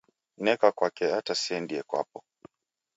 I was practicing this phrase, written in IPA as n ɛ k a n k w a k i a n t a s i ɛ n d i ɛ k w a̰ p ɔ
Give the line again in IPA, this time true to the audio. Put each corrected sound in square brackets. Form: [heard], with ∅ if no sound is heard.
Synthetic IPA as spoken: n ɛ k a [∅] k w a k [ɛ] a [∅] t a s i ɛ n d i ɛ k w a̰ p ɔ

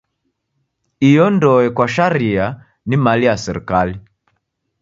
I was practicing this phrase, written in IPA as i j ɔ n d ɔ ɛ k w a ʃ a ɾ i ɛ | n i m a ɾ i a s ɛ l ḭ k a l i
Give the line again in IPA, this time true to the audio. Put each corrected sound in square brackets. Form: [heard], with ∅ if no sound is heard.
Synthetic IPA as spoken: i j ɔ n d ɔ ɛ k w a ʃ a ɾ i [a] | n i m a [l] i a s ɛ [ɾ] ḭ k a l i

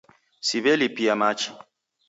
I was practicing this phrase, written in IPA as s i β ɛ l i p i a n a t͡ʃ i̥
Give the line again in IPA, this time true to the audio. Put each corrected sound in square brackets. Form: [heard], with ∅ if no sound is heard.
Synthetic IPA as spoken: s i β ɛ l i p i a [m] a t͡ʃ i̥

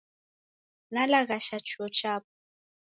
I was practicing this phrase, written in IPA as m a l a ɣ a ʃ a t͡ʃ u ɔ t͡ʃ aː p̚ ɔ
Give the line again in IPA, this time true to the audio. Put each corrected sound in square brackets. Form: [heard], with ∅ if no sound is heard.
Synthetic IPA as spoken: [n] a l a ɣ a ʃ a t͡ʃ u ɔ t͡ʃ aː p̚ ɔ

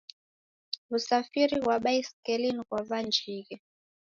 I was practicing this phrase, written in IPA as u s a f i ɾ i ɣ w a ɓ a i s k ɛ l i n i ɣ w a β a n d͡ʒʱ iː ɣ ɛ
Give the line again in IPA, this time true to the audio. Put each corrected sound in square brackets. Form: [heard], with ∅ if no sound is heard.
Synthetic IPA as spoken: u s a f i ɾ i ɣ w a ɓ a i s k ɛ l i n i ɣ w a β a n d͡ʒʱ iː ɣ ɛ

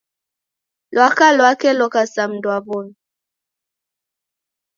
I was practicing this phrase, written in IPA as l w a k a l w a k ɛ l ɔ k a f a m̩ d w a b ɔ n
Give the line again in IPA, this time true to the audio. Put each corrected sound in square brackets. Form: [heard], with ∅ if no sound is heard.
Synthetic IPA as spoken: l w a k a l w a k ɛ l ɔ k a [s] a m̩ d w a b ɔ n

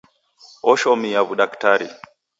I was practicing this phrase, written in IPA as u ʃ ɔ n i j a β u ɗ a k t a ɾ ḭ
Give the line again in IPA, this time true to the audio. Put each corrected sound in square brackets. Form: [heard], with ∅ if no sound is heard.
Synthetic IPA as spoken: [ɔ] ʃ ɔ [m] i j a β u ɗ a k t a ɾ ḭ

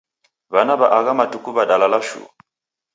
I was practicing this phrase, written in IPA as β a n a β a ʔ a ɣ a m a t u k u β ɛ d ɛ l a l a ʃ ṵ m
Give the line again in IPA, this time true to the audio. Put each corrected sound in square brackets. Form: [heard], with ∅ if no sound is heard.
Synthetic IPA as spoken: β a n a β a ʔ a ɣ a m a t u k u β [a] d [a] l a l a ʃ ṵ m

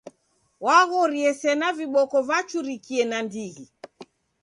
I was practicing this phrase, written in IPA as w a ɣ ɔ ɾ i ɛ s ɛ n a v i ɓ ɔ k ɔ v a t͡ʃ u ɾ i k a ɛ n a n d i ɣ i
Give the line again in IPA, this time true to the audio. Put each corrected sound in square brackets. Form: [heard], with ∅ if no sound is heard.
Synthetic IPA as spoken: w a ɣ ɔ ɾ i ɛ s ɛ n a v i ɓ ɔ k ɔ v a t͡ʃ u ɾ i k [i] ɛ n a n d i ɣ i

